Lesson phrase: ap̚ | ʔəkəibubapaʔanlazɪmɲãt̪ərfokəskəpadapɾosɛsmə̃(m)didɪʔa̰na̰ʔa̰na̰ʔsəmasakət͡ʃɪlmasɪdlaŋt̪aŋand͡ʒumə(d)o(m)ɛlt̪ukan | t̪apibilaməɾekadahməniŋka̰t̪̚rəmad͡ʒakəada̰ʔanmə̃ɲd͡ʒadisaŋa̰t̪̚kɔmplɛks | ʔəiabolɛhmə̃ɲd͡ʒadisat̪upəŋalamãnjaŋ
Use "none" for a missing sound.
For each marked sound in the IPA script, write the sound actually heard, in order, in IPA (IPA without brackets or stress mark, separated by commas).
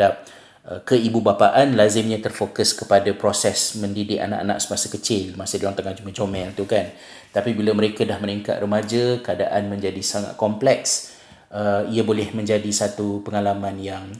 n, d͡ʒ, m